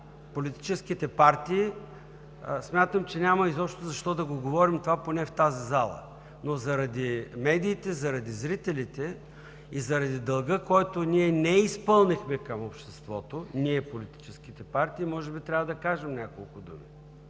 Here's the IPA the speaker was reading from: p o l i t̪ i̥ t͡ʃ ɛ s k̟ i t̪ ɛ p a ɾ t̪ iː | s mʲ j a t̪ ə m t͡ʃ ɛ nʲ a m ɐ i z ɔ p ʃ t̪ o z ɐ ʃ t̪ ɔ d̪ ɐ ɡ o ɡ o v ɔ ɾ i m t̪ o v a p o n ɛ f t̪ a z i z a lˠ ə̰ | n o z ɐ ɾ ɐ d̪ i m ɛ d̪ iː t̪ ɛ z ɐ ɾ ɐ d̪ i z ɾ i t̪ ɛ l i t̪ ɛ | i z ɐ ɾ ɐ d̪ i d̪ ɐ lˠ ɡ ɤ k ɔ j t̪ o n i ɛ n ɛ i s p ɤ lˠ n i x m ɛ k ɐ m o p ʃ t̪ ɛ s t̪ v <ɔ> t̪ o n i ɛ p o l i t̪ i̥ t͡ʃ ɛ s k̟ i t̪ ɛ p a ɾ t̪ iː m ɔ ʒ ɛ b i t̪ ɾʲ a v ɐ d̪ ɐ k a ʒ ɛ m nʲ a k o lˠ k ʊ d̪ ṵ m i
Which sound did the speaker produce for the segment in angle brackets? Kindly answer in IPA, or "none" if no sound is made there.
ɔ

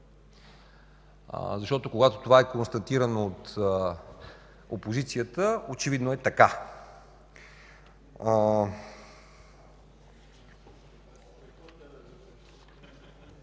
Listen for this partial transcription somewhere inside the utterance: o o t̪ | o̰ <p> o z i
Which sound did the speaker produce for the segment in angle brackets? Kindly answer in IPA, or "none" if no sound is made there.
p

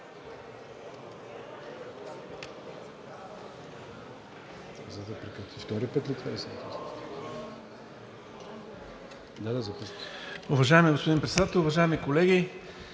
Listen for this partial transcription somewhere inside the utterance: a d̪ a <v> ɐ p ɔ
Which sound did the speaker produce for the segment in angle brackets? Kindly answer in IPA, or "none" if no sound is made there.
z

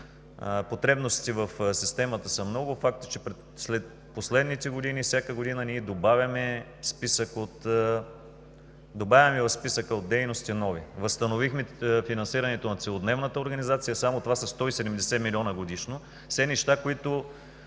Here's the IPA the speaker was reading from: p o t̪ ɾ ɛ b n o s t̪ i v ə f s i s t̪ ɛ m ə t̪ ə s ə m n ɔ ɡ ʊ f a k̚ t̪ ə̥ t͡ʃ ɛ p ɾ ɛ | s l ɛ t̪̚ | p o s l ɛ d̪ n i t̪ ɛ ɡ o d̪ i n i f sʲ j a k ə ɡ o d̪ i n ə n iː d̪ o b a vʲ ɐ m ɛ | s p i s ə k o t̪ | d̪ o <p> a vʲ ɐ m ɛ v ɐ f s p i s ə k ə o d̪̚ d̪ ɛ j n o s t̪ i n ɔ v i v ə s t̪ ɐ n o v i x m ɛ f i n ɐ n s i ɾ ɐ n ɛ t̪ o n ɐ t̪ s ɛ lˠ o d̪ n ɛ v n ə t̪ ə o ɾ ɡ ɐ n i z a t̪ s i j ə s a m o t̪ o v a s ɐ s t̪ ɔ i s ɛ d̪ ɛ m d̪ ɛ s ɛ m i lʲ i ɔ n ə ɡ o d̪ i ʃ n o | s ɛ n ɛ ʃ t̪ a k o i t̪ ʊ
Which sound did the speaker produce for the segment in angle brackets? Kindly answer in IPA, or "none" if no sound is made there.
b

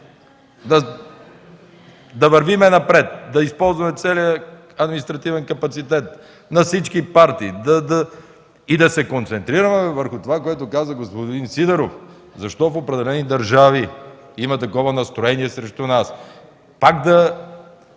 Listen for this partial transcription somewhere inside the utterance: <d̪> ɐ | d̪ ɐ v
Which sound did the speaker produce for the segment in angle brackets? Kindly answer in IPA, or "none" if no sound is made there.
d̪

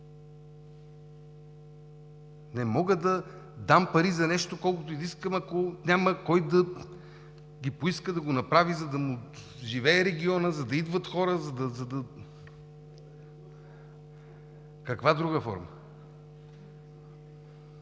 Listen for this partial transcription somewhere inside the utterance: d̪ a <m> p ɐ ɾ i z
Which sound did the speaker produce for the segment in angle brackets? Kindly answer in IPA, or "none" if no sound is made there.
m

